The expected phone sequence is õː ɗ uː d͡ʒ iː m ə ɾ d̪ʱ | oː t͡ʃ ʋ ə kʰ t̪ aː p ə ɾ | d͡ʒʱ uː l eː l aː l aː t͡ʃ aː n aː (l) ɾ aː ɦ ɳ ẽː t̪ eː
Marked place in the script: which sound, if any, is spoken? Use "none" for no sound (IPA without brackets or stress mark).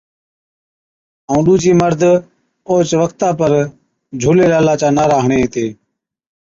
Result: none